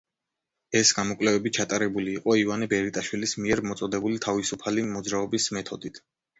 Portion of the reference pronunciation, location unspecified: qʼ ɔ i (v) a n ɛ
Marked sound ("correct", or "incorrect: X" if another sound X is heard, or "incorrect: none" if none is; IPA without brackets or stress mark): correct